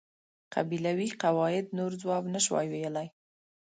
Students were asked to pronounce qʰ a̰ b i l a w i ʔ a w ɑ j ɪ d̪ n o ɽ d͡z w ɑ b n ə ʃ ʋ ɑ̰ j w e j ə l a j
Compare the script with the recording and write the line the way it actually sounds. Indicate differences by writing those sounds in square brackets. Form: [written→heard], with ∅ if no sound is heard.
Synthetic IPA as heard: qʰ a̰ b i l a w i [ʔ→q] a w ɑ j ɪ d̪ n o [ɽ→ɾ] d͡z w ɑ b n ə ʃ [ʋ→w] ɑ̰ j w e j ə l a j